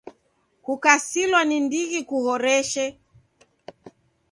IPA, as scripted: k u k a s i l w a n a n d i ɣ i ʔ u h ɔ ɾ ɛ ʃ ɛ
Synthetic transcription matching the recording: k u k a s i l w a n i n d i ɣ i k u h ɔ ɾ ɛ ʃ ɛ